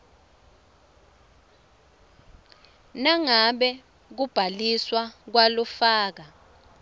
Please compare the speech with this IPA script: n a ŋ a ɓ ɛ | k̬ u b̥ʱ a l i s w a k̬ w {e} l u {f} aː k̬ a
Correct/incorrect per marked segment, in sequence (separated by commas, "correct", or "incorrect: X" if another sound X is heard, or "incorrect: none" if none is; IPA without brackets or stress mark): incorrect: a, correct